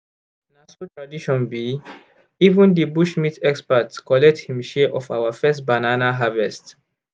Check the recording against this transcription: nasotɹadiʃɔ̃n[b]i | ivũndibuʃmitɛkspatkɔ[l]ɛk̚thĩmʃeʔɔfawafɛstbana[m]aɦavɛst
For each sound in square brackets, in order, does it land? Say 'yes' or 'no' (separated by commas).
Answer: yes, yes, no